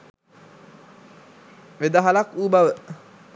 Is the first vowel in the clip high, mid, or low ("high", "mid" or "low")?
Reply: mid